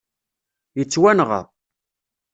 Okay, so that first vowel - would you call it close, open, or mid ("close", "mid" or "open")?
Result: mid